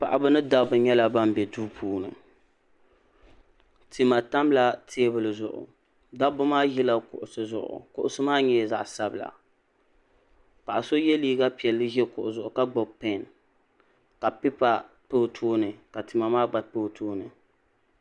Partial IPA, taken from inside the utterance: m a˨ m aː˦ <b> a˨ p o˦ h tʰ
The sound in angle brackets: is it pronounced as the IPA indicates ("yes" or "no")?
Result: no